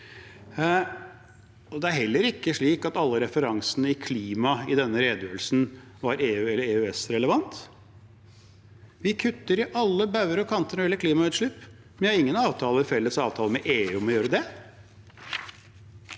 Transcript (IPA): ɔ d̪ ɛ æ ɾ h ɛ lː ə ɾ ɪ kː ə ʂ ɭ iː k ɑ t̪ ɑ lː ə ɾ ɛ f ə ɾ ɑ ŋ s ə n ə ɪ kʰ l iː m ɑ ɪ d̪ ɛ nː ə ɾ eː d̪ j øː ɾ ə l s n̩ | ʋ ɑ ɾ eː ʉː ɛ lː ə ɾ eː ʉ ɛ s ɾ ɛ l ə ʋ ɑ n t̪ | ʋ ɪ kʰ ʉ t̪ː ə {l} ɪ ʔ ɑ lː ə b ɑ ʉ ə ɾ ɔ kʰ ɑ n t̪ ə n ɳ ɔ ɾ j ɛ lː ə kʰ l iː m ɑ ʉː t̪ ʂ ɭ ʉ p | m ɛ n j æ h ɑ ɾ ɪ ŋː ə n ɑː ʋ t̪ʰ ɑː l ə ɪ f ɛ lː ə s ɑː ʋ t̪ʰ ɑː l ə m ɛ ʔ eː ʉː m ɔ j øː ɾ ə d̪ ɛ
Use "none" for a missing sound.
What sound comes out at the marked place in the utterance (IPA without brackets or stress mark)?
ɾ